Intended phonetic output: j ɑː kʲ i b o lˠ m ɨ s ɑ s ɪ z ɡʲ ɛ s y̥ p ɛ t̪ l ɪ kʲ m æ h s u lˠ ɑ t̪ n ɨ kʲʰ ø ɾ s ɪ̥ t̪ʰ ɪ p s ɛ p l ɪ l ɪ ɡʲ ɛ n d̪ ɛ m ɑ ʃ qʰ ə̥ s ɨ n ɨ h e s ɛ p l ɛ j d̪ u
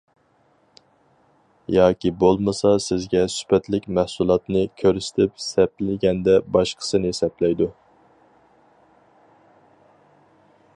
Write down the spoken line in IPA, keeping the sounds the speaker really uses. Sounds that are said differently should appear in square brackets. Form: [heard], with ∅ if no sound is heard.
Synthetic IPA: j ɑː kʲ i b o lˠ m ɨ s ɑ s ɪ z ɡʲ ɛ s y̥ p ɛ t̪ l ɪ kʲ m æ h s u lˠ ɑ t̪ n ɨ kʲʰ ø ɾ s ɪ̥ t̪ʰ ɪ p s ɛ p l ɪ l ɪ ɡʲ ɛ n d̪ ɛ [b] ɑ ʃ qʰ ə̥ s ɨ n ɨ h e s ɛ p l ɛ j d̪ u